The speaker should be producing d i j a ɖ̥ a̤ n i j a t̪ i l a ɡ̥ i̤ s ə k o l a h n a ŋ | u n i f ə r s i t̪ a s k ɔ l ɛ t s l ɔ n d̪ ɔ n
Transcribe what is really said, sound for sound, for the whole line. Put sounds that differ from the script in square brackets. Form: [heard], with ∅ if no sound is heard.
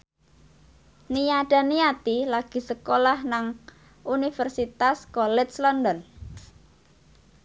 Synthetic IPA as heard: [n] i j a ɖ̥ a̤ n i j a t̪ i l a ɡ̥ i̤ s ə k o l a h n a ŋ | u n i f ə r s i t̪ a s k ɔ l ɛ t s l ɔ n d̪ ɔ n